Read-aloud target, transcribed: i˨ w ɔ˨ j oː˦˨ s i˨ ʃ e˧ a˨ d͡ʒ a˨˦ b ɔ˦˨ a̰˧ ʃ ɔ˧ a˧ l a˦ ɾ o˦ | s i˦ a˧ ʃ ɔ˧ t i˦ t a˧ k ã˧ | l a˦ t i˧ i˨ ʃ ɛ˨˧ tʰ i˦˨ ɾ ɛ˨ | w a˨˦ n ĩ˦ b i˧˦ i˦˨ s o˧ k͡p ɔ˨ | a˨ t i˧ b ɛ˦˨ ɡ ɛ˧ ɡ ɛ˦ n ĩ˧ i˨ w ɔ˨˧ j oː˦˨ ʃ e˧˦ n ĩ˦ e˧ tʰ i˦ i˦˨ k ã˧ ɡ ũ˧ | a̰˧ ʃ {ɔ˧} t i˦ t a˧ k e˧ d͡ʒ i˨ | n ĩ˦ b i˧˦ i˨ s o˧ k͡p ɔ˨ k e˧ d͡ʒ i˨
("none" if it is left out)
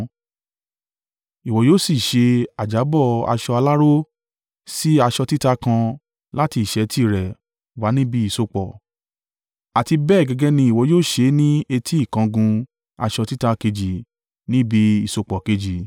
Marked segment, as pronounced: ɔ˧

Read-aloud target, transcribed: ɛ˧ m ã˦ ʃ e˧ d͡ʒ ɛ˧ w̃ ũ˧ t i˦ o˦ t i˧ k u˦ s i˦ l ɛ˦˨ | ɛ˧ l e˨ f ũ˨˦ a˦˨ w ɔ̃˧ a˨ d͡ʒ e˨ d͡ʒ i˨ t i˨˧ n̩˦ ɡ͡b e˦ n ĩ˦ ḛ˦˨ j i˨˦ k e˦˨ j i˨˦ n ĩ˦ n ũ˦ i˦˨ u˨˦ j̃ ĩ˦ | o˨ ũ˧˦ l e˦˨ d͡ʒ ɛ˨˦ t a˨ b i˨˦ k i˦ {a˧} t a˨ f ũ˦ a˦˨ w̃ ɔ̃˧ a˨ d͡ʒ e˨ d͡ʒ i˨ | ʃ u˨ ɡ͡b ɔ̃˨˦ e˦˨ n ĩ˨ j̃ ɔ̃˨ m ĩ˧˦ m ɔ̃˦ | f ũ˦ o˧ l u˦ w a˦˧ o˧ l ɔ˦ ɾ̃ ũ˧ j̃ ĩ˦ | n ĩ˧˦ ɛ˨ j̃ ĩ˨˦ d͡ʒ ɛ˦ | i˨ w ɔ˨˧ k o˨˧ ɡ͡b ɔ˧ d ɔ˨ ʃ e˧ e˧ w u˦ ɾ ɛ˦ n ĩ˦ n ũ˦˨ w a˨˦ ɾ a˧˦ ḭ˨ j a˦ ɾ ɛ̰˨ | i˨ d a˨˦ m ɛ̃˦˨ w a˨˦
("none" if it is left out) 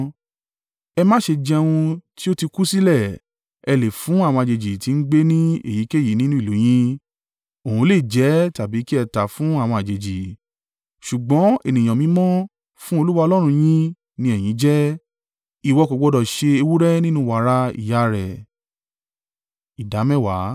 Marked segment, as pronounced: ɛ˧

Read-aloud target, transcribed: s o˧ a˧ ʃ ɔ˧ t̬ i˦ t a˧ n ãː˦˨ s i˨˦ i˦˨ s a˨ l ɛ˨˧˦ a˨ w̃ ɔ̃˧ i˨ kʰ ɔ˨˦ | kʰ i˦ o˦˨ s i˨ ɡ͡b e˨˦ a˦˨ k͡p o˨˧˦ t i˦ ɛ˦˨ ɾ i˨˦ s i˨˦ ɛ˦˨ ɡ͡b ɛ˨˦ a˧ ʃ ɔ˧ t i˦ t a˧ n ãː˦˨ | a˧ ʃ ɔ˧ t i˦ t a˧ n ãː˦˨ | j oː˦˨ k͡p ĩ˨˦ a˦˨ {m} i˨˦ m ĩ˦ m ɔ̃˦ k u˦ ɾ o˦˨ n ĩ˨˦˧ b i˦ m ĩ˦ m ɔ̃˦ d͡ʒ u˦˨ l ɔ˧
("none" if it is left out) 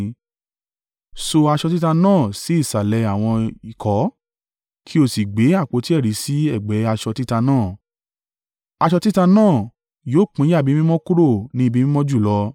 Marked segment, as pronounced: b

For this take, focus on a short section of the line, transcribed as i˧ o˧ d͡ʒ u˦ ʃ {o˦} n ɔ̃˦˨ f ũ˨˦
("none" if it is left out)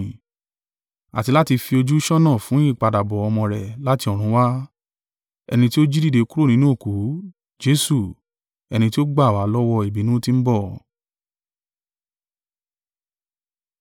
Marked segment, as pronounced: ɔ˦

